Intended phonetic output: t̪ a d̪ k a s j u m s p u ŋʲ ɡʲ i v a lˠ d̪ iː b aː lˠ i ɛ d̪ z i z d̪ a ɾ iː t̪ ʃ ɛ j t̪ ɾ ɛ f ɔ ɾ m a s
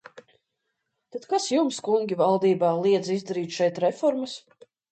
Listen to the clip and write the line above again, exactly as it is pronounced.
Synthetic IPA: t̪ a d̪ k a s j u m s k u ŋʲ ɡʲ i v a lˠ d̪ iː b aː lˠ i ɛ d̪ z i z d̪ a ɾ iː t̪ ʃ ɛ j t̪ ɾ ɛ f ɔ ɾ m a s

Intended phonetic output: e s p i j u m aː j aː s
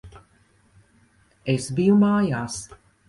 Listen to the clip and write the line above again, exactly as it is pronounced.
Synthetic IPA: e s b i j u m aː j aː s

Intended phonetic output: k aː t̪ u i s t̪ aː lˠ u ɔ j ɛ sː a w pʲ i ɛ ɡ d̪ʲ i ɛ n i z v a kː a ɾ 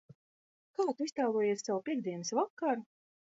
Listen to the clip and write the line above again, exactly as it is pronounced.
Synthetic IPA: k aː t̪ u i s t̪ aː lˠ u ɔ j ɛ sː a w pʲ i ɛ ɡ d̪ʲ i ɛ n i s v a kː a ɾ

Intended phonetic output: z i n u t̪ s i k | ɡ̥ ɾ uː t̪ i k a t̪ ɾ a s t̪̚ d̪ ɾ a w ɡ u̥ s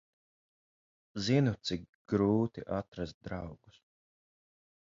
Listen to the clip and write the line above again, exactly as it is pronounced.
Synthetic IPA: z i n u t̪ s i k | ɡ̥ ɾ uː t̪ i ʔ a t̪ ɾ a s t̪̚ d̪ ɾ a w ɡ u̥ s

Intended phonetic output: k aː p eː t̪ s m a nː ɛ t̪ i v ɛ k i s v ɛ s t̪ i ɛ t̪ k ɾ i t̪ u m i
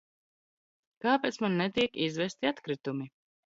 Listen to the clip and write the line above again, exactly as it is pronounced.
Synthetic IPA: k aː p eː t̪ s m a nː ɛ t̪ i ɛ k i z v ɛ s t̪ i a t̪ k ɾ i t̪ u m i

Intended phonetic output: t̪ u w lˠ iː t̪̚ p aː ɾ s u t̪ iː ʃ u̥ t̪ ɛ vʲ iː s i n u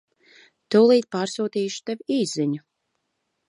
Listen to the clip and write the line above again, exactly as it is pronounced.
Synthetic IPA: t̪ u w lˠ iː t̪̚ p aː ɾ s uː t̪ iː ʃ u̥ t̪ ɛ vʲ iː z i ɲ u

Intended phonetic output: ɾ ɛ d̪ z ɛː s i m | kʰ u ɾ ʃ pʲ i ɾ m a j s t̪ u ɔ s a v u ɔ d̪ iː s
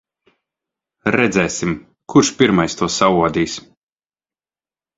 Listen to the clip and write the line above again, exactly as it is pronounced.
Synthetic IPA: ɾ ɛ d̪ z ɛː s i m | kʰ u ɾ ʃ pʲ i ɾ m a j s t̪ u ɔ s a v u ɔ d̪ iː s

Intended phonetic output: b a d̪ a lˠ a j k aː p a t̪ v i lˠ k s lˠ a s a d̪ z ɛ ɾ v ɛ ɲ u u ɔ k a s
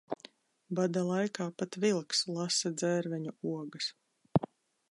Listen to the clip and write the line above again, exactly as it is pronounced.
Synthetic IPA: b a d̪ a lˠ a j k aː p a t̪ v i lˠ k s lˠ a s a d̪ z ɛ ɾ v ɛ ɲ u u ɔ ɡ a s

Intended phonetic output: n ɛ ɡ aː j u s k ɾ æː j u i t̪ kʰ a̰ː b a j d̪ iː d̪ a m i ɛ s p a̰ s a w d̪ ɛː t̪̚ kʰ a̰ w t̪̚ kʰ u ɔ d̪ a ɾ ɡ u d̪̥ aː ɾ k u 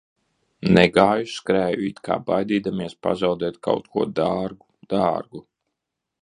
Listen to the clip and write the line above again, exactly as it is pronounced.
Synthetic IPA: n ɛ ɡ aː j u s k ɾ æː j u i t̪ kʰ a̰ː b a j d̪ iː d̪ a m i ɛ s p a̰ z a w d̪ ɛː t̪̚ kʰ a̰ w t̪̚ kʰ u ɔ d̪ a ɾ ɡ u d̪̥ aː ɾ ɡ u

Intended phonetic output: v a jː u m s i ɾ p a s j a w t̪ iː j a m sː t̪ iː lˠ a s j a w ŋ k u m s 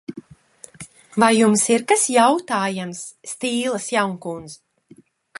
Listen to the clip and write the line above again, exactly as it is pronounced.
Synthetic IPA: v a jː u m s i ɾ k a s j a w t̪ aː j a m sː t̪ iː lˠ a s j a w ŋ k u n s

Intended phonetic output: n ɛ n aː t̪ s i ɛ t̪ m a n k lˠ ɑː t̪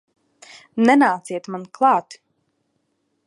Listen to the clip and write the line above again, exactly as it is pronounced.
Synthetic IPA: n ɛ n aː t̪ s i ɛ t̪ m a n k lˠ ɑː t̪

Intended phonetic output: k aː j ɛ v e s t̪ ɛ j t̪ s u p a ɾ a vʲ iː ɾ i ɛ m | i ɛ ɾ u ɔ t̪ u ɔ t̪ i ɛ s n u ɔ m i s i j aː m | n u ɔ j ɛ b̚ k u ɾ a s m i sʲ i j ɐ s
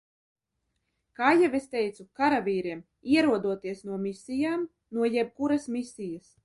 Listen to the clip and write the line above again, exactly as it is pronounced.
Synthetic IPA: k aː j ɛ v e s t̪ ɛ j t̪ s u k a ɾ a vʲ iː ɾ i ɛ m | i ɛ ɾ u ɔ d̪ u ɔ t̪ i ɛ s n u ɔ m i s i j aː m | n u ɔ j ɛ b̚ k u ɾ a s m i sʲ i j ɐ s

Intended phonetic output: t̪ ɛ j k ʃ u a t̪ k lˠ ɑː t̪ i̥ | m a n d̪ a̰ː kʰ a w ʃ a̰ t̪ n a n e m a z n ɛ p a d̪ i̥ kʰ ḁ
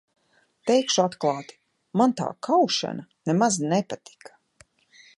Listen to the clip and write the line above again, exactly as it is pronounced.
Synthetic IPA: t̪ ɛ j k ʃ u a t̪ k lˠ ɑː t̪ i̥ | m a n t̪ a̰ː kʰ a w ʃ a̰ n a n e m a z n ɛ p a t̪ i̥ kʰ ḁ

